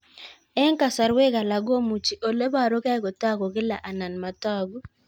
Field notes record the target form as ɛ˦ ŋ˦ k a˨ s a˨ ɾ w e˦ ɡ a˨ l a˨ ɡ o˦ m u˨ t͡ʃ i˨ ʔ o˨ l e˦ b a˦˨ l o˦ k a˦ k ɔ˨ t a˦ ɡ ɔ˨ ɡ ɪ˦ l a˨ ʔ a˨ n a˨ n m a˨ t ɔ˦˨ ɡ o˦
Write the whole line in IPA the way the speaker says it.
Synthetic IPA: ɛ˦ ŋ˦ k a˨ s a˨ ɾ w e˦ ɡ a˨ l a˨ ɡ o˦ m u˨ t͡ʃ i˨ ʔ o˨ l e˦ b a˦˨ ɾ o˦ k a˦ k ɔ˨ t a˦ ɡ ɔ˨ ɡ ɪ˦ l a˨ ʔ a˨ n a˨ n m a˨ t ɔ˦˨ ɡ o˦